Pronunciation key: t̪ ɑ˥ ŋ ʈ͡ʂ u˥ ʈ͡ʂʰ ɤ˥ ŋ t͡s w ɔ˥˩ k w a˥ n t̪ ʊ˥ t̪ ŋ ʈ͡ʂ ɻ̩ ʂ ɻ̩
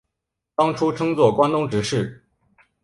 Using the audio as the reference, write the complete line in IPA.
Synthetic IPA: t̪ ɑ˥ ŋ ʈ͡ʂʰ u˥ ʈ͡ʂʰ ɤ˥ ŋ t͡s w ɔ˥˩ k w a˥ n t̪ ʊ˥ ŋ ʈ͡ʂ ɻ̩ ʂ ɻ̩